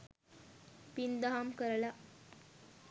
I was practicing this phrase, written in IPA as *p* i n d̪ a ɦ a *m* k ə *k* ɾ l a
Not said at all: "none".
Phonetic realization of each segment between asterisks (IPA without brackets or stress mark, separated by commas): p, m, none